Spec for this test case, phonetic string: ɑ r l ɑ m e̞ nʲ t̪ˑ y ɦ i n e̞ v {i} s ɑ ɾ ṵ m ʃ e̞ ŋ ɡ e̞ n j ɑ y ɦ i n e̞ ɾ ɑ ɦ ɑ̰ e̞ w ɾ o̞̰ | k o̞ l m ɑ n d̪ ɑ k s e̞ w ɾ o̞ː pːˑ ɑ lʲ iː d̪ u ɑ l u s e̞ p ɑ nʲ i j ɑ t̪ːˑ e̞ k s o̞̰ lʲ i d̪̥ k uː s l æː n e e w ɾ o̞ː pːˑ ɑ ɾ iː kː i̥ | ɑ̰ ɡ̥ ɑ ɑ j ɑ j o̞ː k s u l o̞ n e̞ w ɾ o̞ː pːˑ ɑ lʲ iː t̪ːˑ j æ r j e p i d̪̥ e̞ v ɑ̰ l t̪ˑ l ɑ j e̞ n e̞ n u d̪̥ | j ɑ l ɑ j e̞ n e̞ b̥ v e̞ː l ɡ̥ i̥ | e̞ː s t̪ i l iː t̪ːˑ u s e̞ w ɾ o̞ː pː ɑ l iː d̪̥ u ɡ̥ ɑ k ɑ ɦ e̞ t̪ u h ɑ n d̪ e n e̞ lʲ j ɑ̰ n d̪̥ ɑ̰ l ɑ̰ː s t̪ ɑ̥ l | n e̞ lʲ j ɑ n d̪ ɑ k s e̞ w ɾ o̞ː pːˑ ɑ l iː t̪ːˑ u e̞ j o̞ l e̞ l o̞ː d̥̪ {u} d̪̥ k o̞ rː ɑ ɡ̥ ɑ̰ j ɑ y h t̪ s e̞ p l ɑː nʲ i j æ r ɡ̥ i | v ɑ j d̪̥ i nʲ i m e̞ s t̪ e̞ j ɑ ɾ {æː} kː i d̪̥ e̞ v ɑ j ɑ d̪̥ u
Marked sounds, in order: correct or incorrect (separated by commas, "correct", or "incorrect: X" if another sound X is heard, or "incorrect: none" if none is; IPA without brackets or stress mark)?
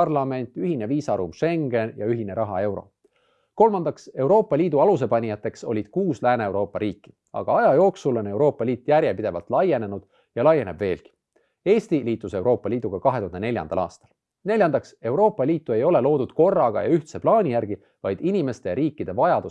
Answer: incorrect: iː, correct, incorrect: iː